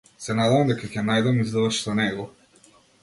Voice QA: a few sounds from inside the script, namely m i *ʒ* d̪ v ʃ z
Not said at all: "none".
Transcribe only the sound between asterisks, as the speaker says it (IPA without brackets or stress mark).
z